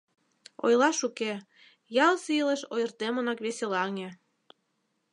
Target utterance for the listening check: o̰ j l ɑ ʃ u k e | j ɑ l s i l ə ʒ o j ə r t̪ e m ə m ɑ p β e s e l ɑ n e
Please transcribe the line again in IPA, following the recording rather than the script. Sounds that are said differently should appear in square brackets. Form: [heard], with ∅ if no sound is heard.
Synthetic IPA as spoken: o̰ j l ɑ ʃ u k e | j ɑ l s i l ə [ʃ] o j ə r t̪ e m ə [n] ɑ [k] β e s e l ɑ [ŋ] e